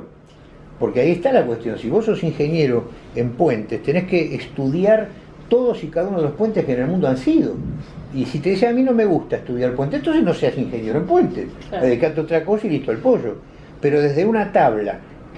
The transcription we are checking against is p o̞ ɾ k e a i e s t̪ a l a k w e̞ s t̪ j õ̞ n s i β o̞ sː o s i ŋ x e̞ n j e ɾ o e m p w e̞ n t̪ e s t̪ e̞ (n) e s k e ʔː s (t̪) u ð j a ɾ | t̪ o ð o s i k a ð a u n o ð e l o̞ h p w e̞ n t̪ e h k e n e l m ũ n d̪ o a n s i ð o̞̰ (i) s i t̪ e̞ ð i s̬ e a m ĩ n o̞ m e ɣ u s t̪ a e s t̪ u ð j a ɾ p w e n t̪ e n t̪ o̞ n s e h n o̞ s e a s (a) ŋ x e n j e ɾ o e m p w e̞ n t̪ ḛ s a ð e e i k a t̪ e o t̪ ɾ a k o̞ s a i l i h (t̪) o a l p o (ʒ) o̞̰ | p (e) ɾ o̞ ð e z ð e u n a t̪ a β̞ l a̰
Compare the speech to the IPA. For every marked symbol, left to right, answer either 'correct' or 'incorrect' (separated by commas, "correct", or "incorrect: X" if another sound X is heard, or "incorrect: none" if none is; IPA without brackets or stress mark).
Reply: correct, correct, correct, incorrect: i, correct, correct, correct